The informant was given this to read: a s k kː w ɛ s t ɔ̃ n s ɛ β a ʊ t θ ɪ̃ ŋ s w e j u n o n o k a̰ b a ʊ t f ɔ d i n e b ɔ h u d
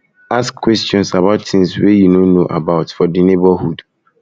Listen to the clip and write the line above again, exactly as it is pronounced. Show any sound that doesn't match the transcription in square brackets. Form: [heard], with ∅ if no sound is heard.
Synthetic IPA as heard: a s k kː w ɛ s t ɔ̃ n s [a] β a ʊ t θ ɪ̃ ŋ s w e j u n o n o [ʔ] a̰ b a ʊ t f ɔ d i n e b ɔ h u d